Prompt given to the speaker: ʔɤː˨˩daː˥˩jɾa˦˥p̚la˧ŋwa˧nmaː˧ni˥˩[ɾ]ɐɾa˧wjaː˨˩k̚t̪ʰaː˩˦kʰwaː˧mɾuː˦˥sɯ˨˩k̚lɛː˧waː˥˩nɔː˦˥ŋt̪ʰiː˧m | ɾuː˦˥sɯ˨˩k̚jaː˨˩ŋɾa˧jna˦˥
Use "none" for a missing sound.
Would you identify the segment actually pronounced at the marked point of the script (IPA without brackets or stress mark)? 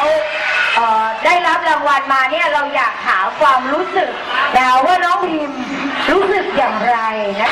none